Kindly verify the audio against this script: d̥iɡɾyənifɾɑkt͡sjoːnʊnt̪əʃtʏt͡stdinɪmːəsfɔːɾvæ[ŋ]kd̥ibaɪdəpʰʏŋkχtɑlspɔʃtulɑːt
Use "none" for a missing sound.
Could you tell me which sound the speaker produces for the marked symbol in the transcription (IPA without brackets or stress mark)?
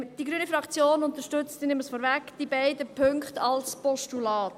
none